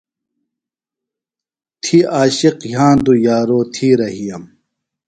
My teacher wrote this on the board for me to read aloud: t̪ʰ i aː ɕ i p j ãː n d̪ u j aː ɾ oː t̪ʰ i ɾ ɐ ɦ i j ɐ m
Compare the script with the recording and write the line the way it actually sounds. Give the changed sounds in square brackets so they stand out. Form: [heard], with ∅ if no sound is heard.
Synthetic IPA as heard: t̪ʰ i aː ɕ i [q] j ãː n d̪ u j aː ɾ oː t̪ʰ i ɾ ɐ ɦ i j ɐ m